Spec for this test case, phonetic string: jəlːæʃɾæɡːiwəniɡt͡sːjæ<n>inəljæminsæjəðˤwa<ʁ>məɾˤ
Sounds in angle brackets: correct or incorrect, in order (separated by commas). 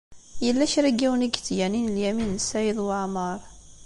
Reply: correct, incorrect